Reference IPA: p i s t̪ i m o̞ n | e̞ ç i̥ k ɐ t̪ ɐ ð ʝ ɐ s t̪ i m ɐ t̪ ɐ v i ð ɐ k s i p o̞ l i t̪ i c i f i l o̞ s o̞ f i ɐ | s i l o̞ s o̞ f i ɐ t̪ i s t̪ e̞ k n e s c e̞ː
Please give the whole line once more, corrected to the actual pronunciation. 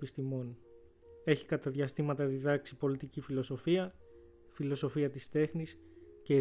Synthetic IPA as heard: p i s t̪ i m o̞ n | e̞ ç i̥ k ɐ t̪ ɐ ð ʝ ɐ s t̪ i m ɐ t̪ ɐ ð i ð ɐ k s i p o̞ l i t̪ i c i f i l o̞ s o̞ f i ɐ | f i l o̞ s o̞ f i ɐ t̪ i s t̪ e̞ x n i s c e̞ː